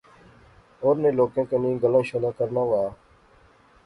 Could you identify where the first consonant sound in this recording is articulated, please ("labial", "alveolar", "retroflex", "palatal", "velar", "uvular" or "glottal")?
alveolar